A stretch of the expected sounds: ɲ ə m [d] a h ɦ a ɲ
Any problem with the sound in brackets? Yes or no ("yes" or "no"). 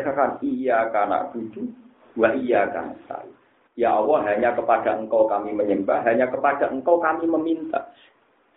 yes